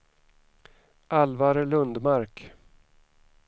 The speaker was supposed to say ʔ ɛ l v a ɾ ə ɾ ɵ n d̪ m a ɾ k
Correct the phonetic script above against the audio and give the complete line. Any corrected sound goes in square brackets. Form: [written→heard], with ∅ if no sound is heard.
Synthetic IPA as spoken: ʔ [ɛ→a] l v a ɾ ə [ɾ→l] ɵ n d̪ m a ɾ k